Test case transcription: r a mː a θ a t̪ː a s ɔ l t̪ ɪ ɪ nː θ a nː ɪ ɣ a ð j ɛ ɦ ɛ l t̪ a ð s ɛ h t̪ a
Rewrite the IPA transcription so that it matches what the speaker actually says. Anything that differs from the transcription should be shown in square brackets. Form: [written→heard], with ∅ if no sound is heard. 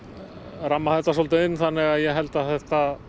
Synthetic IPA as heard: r a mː a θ [a→ɛ] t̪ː a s ɔ l t̪ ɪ ɪ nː θ a nː ɪ ɣ a ð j ɛ ɦ ɛ l t̪ a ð [s→θ] ɛ h t̪ a